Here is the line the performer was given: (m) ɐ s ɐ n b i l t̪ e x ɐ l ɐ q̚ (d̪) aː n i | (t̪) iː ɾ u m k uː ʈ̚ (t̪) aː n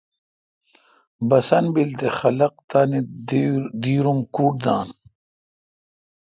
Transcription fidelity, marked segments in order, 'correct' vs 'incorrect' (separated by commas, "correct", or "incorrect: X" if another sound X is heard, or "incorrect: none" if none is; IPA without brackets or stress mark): incorrect: b, incorrect: t̪, incorrect: d̪, incorrect: d̪